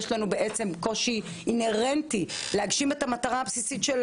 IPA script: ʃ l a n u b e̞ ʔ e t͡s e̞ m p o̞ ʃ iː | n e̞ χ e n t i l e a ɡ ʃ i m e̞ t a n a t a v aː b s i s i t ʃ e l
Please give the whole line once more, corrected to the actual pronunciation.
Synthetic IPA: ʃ l a n u b e̞ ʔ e t͡s e̞ m k o̞ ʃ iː | n e̞ ʁ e n t i l e a ɡ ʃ i m e̞ t a m a t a ʁ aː b s i s i t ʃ e l